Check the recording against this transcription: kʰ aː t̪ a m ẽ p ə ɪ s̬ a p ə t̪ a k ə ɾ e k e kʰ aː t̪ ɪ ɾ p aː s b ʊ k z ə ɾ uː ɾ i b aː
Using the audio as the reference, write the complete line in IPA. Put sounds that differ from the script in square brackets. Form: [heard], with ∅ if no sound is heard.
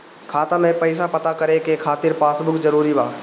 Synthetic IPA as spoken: kʰ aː t̪ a m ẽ p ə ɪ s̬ a p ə t̪ a k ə ɾ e k e kʰ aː t̪ ɪ ɾ p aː s b ʊ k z ə ɾ uː ɾ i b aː

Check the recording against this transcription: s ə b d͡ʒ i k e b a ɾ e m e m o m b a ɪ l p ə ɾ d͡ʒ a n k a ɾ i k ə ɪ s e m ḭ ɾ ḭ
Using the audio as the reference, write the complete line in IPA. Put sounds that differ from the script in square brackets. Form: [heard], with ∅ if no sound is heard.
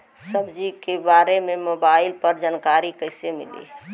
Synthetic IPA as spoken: s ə b d͡ʒ i k e b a ɾ e m e m o [∅] b a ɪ l p ə ɾ d͡ʒ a n k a ɾ i k ə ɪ s e m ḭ [l] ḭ

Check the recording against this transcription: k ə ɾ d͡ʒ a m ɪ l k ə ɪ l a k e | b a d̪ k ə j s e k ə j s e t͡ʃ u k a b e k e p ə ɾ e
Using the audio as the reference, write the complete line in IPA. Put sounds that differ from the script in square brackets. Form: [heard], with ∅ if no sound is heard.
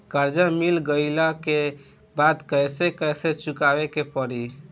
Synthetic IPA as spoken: k ə ɾ d͡ʒ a m [i] l [ɡ] ə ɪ l a k e | b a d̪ k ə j s e k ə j s e t͡ʃ u k a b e k e p ə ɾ [i]

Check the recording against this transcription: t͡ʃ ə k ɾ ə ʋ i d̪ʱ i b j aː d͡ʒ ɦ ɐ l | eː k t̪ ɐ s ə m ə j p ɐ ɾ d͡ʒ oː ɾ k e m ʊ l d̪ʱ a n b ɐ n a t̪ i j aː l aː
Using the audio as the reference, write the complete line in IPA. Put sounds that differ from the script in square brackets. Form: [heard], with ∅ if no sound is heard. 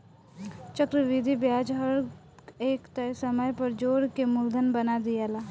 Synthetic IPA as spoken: t͡ʃ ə k ɾ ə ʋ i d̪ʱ i b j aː d͡ʒ ɦ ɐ [ɾ] | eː k t̪ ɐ s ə m ə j p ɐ ɾ d͡ʒ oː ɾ k e m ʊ l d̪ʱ [ə] n b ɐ n a [d̪] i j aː l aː

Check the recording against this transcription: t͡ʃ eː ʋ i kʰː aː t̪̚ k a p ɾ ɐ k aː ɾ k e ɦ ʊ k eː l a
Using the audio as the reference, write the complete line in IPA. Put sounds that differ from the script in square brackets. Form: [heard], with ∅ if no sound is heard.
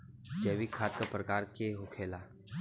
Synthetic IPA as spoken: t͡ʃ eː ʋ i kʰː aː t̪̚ k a p ɾ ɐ k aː ɾ k e ɦ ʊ [kʰ] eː l a

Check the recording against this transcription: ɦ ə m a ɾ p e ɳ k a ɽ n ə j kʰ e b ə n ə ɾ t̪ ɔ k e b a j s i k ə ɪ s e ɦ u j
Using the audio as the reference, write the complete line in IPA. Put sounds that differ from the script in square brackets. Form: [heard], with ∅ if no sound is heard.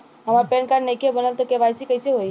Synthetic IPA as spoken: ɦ ə m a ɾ p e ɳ k a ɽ n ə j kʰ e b ə n ə [l] t̪ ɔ k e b a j s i k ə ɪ s e ɦ [o] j

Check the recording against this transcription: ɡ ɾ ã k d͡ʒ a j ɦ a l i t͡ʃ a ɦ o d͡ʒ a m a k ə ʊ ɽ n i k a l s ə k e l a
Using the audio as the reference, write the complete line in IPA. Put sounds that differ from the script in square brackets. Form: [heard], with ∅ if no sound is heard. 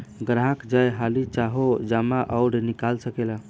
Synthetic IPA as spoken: ɡ ɾ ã k d͡ʒ a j ɦ a l i t͡ʃ a ɦ o d͡ʒ a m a [ʔ] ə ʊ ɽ n i k a l s ə k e l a

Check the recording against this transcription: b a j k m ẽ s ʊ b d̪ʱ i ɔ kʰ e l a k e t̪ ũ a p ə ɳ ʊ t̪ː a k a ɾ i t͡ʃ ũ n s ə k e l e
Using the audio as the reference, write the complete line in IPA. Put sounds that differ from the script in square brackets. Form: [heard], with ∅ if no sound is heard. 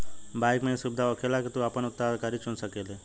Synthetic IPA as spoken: b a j k m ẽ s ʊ b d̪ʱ [a] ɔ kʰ e l a k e t̪ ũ a p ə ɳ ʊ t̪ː a k a ɾ i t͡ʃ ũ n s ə k e l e

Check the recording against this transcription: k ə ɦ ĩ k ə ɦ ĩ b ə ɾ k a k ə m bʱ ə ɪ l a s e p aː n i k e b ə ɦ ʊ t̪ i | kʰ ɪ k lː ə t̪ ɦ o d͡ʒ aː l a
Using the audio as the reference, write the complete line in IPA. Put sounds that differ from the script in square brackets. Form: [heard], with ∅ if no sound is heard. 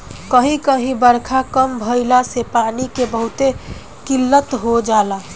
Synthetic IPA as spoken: k ə ɦ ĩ k ə ɦ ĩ b ə ɾ [kʰ] a k ə m bʱ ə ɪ l a s e p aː n i k e b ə ɦ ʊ t̪ [e] | [k] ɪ [∅] lː ə t̪ ɦ o d͡ʒ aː l a

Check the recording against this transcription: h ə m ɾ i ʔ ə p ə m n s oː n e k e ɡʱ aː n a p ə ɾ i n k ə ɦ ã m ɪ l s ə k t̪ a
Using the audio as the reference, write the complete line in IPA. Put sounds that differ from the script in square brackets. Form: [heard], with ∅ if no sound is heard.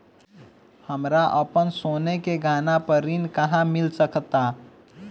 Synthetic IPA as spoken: h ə m ɾ [a] ʔ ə p ə [∅] n s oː n e k e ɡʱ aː n a p ə ɾ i n k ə ɦ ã m ɪ l s ə k t̪ a

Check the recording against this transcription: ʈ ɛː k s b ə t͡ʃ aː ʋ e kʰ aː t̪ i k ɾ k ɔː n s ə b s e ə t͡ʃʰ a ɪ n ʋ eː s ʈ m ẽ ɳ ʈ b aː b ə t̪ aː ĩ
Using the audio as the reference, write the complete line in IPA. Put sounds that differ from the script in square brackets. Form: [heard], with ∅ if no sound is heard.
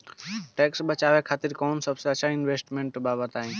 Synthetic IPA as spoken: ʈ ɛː k s b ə t͡ʃ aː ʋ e kʰ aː t̪ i [∅] ɾ k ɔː n s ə b s e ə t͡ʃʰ a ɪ n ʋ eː s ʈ m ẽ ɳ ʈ b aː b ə t̪ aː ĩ

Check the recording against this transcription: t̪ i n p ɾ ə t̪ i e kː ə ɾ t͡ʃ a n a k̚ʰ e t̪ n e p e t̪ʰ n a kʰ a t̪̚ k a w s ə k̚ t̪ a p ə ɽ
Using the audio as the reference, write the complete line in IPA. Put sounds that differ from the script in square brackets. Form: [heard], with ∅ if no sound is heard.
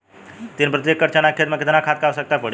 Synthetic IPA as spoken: t̪ i n p ɾ ə t̪ [j] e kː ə ɾ t͡ʃ a n a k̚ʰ e t̪ [m] e [k] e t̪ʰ n a kʰ a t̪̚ k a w s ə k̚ t̪ a p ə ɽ

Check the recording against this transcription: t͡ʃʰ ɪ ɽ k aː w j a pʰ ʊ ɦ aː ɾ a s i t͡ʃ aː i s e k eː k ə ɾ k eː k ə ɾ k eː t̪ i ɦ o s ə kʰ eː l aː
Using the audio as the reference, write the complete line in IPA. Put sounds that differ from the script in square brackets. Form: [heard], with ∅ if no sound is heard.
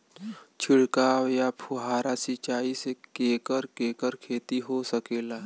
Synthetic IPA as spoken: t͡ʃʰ ɪ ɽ k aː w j a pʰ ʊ ɦ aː ɾ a s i t͡ʃ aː i s e k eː k ə ɾ k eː k ə ɾ [kʰ] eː t̪ i ɦ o s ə [k] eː l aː

